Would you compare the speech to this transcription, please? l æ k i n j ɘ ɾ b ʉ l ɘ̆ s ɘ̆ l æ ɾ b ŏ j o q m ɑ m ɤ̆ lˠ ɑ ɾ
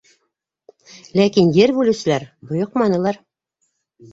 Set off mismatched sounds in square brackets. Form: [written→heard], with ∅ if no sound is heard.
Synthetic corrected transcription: l æ k i n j ɘ ɾ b ʉ l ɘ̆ s ɘ̆ l æ ɾ b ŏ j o q m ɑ [m→n] ɤ̆ lˠ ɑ ɾ

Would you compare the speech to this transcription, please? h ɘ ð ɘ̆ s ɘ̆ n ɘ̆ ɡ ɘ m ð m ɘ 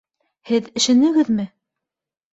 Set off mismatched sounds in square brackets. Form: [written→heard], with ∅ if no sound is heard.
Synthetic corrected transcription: h ɘ ð ɘ̆ [s→ʃ] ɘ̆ n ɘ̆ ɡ ɘ [m→∅] ð m ɘ

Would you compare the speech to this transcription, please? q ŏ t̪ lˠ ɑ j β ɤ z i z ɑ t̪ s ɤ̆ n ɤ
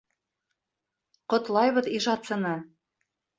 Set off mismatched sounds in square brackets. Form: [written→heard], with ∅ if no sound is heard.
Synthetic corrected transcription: q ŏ t̪ lˠ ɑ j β ɤ [z→ð] i [z→ʒ] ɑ t̪ s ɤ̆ n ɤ

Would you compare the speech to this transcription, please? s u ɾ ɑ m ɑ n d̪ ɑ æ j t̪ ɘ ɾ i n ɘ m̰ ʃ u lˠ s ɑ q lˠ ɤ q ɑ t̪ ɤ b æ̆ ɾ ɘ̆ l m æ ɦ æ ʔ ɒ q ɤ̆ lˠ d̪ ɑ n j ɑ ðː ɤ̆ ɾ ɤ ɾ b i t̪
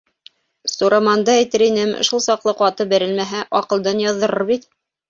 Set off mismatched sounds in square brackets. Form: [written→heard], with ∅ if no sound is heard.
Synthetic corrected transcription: s u ɾ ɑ m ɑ n d̪ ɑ æ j t̪ ɘ ɾ i n ɘ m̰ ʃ u lˠ s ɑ q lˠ ɤ q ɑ t̪ ɤ b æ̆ ɾ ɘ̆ l m æ ɦ æ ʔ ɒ q ɤ̆ lˠ d̪ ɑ n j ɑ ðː ɤ̆ ɾ ɤ ɾ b i t̪

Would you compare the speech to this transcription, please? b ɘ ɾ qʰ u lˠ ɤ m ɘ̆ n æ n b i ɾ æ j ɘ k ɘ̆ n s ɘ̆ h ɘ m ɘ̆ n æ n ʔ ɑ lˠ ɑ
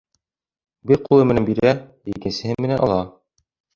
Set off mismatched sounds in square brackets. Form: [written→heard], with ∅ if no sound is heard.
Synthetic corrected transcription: b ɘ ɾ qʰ u lˠ ɤ m ɘ̆ n æ n b i ɾ æ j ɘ k ɘ̆ n s ɘ̆ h ɘ m ɘ̆ n æ n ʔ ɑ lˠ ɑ

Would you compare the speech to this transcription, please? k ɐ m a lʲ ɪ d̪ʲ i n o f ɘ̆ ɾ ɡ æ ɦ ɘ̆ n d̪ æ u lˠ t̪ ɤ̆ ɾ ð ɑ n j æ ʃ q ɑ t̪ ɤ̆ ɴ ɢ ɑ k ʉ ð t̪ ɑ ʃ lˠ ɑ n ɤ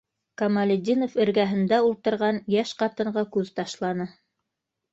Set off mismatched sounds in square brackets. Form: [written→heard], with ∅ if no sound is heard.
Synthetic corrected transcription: k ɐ m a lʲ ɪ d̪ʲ i n o f ɘ̆ ɾ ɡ æ ɦ ɘ̆ n d̪ æ u lˠ t̪ ɤ̆ ɾ [ð→ʁ] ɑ n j æ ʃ q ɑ t̪ ɤ̆ ɴ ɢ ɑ k ʉ ð t̪ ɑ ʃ lˠ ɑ n ɤ

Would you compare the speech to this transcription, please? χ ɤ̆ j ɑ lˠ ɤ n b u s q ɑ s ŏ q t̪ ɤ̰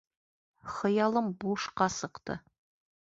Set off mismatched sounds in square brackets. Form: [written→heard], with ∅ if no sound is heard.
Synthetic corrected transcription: χ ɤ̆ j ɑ lˠ ɤ [n→m] b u [s→ʃ] q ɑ s [ŏ→ɤ̆] q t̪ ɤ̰

